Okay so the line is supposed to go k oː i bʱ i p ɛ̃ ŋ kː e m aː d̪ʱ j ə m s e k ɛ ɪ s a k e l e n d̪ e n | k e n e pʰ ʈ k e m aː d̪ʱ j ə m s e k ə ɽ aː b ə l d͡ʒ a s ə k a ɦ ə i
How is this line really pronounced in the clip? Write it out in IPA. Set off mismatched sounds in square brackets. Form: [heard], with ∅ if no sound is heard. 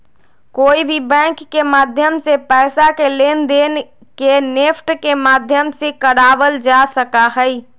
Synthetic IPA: k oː i bʱ i [b] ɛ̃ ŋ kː e m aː d̪ʱ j ə m s e [p] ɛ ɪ s a k e l e n d̪ e n | k e n e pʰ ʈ k e m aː d̪ʱ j ə m s e k ə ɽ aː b ə l d͡ʒ a s ə k a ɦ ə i